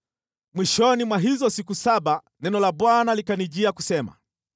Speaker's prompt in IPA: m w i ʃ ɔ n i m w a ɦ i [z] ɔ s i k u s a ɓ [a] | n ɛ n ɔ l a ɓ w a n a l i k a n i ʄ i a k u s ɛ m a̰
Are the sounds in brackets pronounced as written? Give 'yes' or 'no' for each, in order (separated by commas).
yes, yes